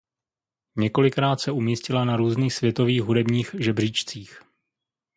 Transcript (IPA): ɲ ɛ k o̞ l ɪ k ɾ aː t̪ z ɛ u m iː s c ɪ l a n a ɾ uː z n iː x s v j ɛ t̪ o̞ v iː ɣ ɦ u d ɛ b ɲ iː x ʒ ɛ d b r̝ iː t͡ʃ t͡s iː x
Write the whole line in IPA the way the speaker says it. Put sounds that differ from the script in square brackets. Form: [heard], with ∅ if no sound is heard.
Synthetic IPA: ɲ ɛ k o̞ l ɪ k ɾ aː t̪ [s] ɛ u m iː s c ɪ l a n a ɾ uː z n iː x s v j ɛ t̪ o̞ v iː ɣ ɦ u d ɛ b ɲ iː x ʒ ɛ [∅] b r̝ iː t͡ʃ t͡s iː x